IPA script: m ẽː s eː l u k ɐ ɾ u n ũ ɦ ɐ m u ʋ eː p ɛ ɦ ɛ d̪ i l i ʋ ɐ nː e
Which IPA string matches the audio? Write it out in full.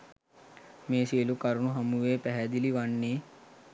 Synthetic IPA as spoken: m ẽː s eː l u k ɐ ɾ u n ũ ɦ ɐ m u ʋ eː p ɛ ɦ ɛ d̪ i l i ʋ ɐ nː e

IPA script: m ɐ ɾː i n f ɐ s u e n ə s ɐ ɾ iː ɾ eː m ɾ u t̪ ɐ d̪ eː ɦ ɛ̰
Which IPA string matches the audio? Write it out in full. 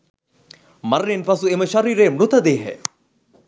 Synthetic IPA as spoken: m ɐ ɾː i n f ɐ s u e m ə ʃ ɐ ɾ iː ɾ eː m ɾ u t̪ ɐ d̪ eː ɦ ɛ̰

